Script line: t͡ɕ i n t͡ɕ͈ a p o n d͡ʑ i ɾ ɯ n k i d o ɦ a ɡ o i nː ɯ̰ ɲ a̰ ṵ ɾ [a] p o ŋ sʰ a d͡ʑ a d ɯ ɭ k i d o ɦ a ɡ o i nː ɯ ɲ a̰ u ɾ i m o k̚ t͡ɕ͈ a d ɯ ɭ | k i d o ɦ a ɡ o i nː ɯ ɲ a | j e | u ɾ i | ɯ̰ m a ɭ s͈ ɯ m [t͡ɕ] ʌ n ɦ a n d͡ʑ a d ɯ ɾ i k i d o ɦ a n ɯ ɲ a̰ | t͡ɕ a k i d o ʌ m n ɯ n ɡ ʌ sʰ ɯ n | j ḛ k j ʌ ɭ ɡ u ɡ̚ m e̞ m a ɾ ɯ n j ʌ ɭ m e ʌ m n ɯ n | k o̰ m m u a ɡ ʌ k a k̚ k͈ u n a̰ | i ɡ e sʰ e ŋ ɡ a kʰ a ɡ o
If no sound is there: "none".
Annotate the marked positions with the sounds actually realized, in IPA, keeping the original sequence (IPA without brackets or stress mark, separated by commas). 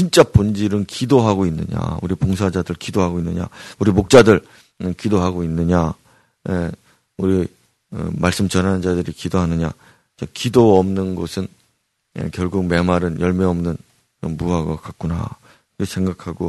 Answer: i, t͡ɕ